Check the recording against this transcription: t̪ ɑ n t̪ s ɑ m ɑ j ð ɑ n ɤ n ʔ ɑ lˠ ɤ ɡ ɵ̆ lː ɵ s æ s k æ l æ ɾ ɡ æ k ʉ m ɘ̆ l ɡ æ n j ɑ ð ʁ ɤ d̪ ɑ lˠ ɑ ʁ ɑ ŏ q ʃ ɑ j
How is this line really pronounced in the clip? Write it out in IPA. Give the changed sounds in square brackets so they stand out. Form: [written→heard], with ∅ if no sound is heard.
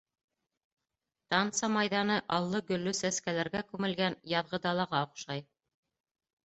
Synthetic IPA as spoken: t̪ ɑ n t̪ s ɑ m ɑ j ð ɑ n ɤ [n→∅] ʔ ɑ [lˠ→lˠː] ɤ ɡ ɵ̆ lː ɵ s æ s k æ l æ ɾ ɡ æ k ʉ m ɘ̆ l ɡ æ n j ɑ ð ʁ ɤ d̪ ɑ lˠ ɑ ʁ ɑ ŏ q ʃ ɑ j